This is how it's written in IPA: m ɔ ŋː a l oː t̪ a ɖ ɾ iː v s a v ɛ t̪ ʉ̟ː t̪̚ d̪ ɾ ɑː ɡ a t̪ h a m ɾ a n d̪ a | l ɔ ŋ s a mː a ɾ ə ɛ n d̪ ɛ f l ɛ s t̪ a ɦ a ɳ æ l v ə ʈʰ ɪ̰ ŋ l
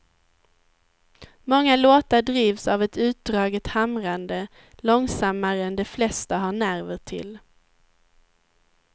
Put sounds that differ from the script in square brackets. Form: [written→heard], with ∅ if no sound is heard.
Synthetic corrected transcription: m ɔ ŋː a l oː t̪ a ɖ ɾ iː v s a v ɛ t̪ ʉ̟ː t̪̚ d̪ ɾ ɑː ɡ [a→ə] t̪ h a m ɾ a n d̪ [a→ə] | l ɔ ŋ s a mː a ɾ ə ɛ n d̪ ɛ f l ɛ s t̪ a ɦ a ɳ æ [l→ɾ] v ə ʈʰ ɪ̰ [ŋ→∅] l